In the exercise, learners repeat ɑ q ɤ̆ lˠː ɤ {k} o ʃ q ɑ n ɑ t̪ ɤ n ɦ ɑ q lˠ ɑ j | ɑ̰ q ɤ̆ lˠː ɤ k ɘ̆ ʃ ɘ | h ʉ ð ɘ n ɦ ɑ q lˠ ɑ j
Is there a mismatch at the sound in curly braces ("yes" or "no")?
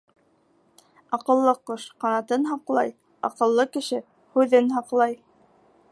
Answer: yes